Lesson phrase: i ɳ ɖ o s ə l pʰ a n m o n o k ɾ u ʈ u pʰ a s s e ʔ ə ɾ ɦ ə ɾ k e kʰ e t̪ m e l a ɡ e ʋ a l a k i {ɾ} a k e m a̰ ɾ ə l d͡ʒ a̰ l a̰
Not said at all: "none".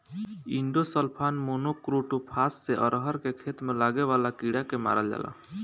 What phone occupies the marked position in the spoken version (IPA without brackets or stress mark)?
ɽ